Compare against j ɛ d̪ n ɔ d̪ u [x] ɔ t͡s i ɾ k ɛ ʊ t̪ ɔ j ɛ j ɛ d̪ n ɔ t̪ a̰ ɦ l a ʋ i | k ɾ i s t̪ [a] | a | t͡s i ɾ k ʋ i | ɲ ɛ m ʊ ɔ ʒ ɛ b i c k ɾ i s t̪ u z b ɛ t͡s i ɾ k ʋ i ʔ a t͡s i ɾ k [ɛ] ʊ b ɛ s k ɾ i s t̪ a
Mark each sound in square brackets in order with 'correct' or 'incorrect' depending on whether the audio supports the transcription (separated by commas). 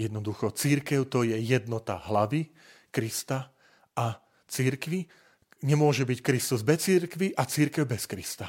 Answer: correct, correct, correct